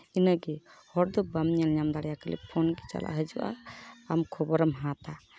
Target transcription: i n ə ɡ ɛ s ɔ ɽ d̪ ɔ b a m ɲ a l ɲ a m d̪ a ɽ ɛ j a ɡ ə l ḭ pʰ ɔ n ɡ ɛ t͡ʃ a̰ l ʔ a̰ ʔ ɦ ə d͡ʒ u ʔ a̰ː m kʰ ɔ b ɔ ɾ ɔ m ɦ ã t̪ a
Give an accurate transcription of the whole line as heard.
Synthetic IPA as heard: i n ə ɡ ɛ h ɔ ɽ d̪ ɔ b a m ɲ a l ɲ a m d̪ a ɽ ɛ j a k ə l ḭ pʰ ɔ n ɡ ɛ t͡ʃ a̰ l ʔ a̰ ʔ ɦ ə d͡ʒ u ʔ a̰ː m kʰ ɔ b ɔ ɾ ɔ m ɦ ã t̪ a

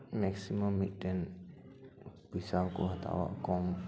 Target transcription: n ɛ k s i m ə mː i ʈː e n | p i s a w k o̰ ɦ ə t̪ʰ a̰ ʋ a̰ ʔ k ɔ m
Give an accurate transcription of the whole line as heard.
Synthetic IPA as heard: m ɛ k s i m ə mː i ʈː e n | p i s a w k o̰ ɦ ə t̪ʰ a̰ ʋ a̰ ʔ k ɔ m

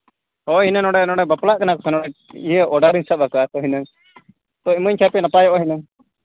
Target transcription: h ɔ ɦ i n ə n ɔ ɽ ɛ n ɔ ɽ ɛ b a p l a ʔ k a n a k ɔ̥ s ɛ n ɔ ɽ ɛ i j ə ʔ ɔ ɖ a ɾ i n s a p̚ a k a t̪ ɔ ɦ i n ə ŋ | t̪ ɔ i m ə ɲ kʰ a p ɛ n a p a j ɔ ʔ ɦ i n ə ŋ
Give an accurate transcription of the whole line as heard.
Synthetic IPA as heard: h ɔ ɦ i n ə n ɔ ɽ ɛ n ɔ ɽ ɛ b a p l a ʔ k a n a k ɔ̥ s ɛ n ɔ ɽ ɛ i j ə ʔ ɔ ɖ a ɾ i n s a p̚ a k a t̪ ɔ ɦ i n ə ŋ | t̪ ɔ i m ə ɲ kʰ a p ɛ n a p a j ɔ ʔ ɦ i n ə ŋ

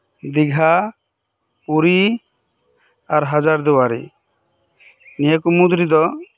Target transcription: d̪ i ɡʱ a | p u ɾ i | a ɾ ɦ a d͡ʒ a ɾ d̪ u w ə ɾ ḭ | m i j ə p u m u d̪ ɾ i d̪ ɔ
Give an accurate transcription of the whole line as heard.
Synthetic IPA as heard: d̪ i ɡʱ a | p u ɾ i | a ɾ ɦ a d͡ʒ a ɾ d̪ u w a ɾ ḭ | n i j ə k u m u d̪ ɾ i d̪ ɔ

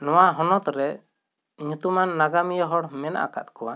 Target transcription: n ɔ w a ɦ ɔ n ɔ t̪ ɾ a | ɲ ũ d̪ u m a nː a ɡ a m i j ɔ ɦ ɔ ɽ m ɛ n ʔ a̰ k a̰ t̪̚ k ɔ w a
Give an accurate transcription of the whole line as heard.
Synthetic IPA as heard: n ɔ w a ɦ ɔ n ɔ t̪ ɾ ɛ | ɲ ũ t̪ u m a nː a ɡ a m i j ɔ ɦ ɔ ɽ m ɛ n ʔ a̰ k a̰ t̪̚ k ɔ w a

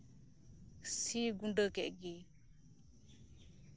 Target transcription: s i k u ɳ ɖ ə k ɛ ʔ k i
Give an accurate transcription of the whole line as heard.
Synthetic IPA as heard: s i ɡ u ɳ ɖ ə k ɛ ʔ ɡ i

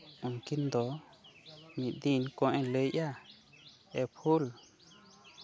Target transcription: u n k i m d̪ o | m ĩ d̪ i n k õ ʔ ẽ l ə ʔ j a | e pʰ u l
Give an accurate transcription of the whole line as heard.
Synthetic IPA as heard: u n k i n d̪ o | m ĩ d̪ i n k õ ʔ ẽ l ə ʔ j a | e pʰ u l

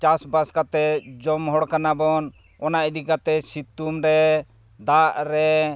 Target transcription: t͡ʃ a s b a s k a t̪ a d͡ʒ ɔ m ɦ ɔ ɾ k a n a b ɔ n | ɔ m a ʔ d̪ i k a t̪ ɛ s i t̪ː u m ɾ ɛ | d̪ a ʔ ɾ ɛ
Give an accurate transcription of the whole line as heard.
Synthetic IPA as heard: t͡ʃ a s b a s k a t̪ ɛ d͡ʒ ɔ m ɦ ɔ ɽ k a n a b ɔ n | ɔ n a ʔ d̪ i k a t̪ ɛ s i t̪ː u m ɾ ɛ | d̪ a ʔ ɾ ɛ

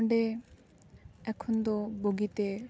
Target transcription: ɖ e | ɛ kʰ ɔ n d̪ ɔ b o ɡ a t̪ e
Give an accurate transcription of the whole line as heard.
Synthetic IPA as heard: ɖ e | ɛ kʰ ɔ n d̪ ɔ b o ɡ i t̪ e

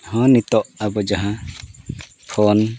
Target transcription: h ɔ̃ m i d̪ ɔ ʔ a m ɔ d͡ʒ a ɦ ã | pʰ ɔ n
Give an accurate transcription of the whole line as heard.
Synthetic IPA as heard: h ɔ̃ n i t̪ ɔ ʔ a b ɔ d͡ʒ a ɦ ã | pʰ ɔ n

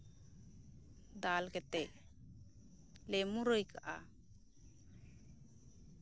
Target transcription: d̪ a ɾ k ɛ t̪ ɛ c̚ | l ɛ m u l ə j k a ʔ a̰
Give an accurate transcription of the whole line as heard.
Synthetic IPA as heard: d̪ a l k ɛ t̪ ɛ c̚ | l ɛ m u ɾ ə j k a ʔ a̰

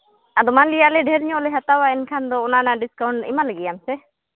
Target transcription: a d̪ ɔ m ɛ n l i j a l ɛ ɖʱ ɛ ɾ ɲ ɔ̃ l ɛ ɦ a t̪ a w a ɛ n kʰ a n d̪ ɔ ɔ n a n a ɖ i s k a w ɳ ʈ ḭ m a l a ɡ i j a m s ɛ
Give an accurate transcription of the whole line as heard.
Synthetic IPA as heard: a d̪ ɔ m a n l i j a l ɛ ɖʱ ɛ ɾ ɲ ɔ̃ l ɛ ɦ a t̪ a w a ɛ n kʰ a n d̪ ɔ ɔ n a n a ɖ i s k a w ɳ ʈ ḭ m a l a ɡ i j a m s ɛ

